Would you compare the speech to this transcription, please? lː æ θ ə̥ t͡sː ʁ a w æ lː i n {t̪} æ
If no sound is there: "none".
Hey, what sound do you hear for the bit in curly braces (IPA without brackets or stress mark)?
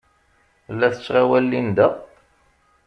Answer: d̪